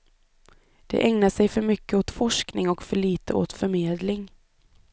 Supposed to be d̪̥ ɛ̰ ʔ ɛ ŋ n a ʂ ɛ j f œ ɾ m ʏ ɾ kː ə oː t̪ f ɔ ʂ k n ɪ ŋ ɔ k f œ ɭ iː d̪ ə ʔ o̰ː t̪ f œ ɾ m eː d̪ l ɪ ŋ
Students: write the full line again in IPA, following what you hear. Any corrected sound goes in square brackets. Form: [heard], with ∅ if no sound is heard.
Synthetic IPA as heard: d̪̥ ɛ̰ ʔ ɛ ŋ n a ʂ ɛ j f œ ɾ m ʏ [∅] kː ə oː t̪ f ɔ ʂ k n ɪ ŋ ɔ k f œ ɭ iː [t̪] ə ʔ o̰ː t̪ f œ ɾ m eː d̪ l ɪ ŋ